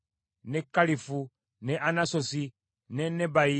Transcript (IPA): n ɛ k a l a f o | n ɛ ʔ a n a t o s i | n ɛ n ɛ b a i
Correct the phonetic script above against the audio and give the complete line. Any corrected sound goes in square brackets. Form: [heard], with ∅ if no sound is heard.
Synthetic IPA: n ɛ k a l [i] f [u] | n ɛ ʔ a n a [s] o s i | n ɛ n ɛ b a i